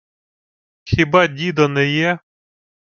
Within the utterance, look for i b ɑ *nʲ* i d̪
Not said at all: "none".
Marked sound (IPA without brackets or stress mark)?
dʲ